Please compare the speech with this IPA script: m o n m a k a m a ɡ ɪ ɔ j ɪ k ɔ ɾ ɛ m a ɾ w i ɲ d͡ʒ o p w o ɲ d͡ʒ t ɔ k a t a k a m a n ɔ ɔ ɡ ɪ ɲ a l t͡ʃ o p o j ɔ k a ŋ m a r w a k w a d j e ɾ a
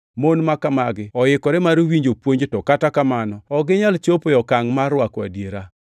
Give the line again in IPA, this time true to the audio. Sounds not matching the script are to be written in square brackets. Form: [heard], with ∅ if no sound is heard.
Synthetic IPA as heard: m o n m a k a m a ɡ ɪ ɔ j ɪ k ɔ ɾ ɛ m a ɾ w i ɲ d͡ʒ o p w o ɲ d͡ʒ t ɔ k a t a k a m a n ɔ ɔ ɡ ɪ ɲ a l t͡ʃ o p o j ɔ k a ŋ m a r w a k w a d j e ɾ a